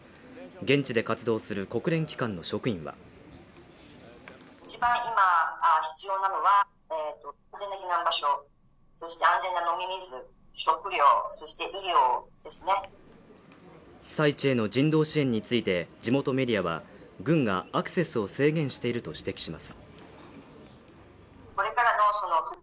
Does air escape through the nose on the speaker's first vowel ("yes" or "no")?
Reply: yes